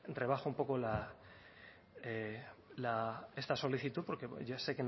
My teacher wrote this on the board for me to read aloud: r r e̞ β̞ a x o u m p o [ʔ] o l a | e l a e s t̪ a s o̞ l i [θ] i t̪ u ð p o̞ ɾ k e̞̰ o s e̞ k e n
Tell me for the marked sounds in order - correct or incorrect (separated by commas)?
incorrect, correct